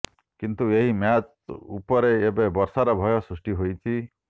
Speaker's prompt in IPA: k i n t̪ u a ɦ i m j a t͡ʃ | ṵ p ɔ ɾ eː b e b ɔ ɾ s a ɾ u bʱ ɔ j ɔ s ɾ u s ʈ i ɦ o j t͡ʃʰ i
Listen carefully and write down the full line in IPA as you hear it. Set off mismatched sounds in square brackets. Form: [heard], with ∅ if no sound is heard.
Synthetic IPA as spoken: k i n t̪ u [e] ɦ i m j a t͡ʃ | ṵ p ɔ ɾ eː b e b ɔ ɾ s a ɾ [ɔ] bʱ ɔ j ɔ s ɾ u s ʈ i ɦ o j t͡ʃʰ i